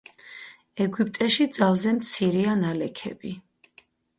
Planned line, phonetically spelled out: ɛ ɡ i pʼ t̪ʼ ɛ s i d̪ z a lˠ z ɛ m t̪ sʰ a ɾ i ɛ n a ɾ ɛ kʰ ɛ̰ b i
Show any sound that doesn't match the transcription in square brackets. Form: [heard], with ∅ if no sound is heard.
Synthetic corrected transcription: ɛ ɡ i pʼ t̪ʼ ɛ [ʃ] i d̪ z a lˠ z ɛ m t̪ sʰ [i] ɾ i [a] n a [l] ɛ kʰ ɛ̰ b i

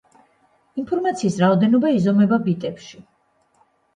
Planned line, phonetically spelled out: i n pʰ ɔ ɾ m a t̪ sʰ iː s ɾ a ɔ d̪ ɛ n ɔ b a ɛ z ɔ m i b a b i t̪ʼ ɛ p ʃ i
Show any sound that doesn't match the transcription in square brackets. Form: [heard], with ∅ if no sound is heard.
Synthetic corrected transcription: i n pʰ ɔ ɾ m a t̪ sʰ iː s ɾ a ɔ d̪ ɛ n ɔ b a [i] z ɔ m [ɛ] b a b i t̪ʼ ɛ p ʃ i

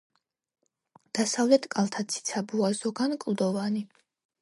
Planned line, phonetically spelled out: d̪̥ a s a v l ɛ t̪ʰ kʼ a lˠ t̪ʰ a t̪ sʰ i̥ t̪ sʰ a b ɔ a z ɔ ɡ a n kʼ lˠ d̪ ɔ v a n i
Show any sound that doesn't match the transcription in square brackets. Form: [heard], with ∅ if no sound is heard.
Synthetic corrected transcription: d̪̥ a s a v l ɛ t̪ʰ kʼ a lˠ t̪ʰ a t̪ sʰ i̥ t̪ sʰ a b [u] a z ɔ ɡ a n kʼ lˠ d̪ ɔ v a n i

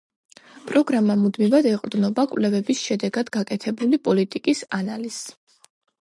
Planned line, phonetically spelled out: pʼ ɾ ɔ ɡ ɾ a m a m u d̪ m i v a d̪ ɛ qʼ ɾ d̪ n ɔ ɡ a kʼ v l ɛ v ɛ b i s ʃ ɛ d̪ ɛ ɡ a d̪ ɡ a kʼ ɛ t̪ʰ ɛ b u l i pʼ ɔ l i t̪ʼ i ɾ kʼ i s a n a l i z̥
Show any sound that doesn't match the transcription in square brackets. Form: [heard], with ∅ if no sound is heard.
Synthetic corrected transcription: pʼ ɾ ɔ ɡ ɾ a m a m u d̪ m i v a d̪ ɛ qʼ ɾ d̪ n ɔ [b] a kʼ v l ɛ v ɛ b i s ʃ ɛ d̪ ɛ ɡ a d̪ ɡ a kʼ ɛ t̪ʰ ɛ b u l i pʼ ɔ l i t̪ʼ i [∅] kʼ i s a n a l i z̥

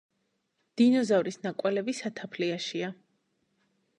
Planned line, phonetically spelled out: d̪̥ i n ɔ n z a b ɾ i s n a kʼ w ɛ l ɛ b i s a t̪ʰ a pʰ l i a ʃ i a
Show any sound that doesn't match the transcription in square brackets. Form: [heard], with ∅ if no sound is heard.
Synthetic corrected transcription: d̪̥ i n ɔ [∅] z a [v] ɾ i s n a kʼ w ɛ l ɛ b i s a t̪ʰ a pʰ l i a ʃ i a

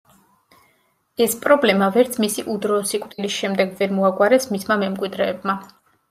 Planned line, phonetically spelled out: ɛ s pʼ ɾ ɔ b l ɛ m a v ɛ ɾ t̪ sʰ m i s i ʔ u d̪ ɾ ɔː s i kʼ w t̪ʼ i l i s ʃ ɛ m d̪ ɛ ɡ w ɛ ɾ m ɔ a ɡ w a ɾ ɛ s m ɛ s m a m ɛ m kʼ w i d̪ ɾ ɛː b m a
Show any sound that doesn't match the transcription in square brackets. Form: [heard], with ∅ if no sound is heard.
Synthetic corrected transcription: ɛ s pʼ ɾ ɔ b l ɛ m a v ɛ ɾ t̪ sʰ m i s i ʔ u d̪ ɾ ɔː s i kʼ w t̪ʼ i l i s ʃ ɛ m d̪ ɛ ɡ [v] ɛ ɾ m ɔ a ɡ w a ɾ ɛ s m [i] s m a m ɛ m kʼ w i d̪ ɾ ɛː b m a

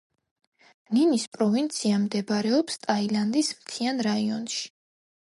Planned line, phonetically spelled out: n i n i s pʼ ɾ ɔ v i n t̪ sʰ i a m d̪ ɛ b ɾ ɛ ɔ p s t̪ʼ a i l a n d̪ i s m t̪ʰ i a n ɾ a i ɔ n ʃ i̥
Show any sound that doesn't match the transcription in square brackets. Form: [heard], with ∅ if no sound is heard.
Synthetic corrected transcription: n i n i s pʼ ɾ ɔ v i n t̪ sʰ i a m d̪ ɛ b ɾ ɛ ɔ p s t̪ʼ a i l a n d̪ i s m t̪ʰ i a n ɾ a i ɔ n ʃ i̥

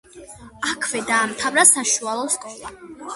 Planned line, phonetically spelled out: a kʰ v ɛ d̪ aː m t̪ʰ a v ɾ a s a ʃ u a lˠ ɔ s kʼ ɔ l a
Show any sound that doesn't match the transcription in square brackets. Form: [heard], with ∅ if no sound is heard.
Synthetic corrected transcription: a kʰ v ɛ d̪ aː m t̪ʰ a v ɾ a s a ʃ u a lˠ ɔ s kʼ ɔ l a

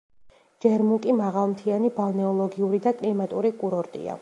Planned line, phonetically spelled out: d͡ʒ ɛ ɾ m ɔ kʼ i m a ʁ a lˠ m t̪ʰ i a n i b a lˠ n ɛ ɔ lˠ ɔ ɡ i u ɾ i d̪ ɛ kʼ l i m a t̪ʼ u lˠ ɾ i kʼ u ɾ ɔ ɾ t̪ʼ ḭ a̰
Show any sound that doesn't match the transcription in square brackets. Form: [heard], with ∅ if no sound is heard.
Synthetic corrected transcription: d͡ʒ ɛ ɾ m [u] kʼ i m a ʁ a lˠ m t̪ʰ i a n i b a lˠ n ɛ ɔ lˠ ɔ ɡ i u ɾ i d̪ [a] kʼ l i m a t̪ʼ u [∅] ɾ i kʼ u ɾ ɔ ɾ t̪ʼ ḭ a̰

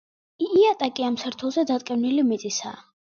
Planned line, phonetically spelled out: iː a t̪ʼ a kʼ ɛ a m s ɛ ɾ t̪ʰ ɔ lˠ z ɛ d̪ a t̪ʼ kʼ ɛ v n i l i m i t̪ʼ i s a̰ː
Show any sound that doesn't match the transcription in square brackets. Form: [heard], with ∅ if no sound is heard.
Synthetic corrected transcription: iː a t̪ʼ a kʼ [i] a m s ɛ ɾ t̪ʰ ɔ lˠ z ɛ d̪ a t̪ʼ kʼ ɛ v n i l i m i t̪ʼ i s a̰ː

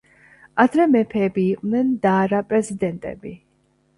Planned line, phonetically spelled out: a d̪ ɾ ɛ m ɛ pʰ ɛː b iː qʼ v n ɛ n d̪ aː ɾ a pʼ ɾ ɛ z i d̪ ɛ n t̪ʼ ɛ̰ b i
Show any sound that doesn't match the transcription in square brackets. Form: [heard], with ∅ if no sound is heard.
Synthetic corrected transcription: a d̪ ɾ ɛ m ɛ pʰ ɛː b iː qʼ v n ɛ n d̪ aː ɾ a pʼ ɾ ɛ z i d̪ ɛ n t̪ʼ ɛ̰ b i

